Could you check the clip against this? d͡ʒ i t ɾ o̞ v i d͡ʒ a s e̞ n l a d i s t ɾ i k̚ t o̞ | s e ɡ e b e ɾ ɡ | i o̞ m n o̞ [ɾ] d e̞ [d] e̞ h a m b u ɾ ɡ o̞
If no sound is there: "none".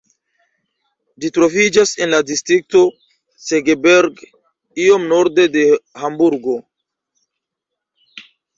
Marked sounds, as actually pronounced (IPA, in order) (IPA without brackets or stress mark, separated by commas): ɾ, d